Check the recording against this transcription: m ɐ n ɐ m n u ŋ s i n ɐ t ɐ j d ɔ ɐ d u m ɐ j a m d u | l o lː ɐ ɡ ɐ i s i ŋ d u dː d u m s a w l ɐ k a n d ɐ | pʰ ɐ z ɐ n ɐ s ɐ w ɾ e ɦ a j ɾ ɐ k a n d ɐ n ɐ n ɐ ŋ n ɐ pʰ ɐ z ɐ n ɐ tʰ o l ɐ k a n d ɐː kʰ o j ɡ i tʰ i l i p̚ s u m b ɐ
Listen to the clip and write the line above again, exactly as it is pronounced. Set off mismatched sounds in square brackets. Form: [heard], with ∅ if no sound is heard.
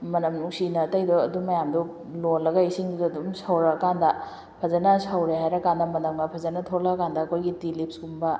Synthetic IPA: m ɐ n ɐ m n u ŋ s i n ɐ t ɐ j d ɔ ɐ d u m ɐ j a m d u | l o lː ɐ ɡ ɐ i s i ŋ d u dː d u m s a w [ɾ] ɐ k a n d ɐ | pʰ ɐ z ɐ n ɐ s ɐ w ɾ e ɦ a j ɾ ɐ k a n d ɐ [m] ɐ n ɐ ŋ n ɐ pʰ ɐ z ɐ n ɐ tʰ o l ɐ k a n d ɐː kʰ o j ɡ i [t] i l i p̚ s u m b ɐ